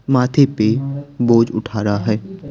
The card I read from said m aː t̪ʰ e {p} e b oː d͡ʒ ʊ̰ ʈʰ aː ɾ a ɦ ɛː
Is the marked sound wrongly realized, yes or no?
no